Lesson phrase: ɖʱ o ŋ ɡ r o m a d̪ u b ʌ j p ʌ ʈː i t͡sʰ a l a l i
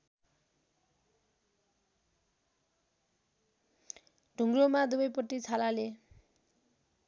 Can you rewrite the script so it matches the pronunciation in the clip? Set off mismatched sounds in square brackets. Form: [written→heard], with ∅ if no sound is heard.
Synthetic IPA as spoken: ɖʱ [o→u] ŋ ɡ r o m a d̪ u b ʌ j p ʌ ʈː i t͡sʰ a l a l [i→e]